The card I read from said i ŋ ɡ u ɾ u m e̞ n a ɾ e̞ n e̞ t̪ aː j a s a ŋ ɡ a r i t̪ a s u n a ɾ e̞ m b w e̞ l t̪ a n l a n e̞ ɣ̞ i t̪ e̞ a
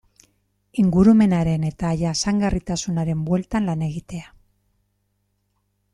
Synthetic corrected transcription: i ŋ ɡ u ɾ u m e̞ n a ɾ e̞ n e̞ t̪ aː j a s a ŋ ɡ a r i t̪ a s u n a ɾ e̞ m b w e̞ l t̪ a n l a n e̞ ɣ̞ i t̪ e̞ a